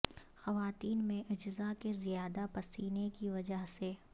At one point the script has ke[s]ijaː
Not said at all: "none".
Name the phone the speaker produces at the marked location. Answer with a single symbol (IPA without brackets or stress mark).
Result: z